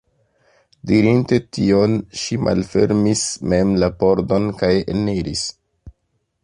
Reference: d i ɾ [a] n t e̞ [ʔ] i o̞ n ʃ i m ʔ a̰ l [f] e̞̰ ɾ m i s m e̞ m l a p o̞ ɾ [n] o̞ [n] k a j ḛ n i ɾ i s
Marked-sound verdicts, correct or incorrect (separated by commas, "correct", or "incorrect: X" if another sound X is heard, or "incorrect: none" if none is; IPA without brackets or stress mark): incorrect: i, incorrect: t, correct, incorrect: d, correct